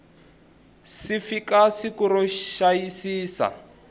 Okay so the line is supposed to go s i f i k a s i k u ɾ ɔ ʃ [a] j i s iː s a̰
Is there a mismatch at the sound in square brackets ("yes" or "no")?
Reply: no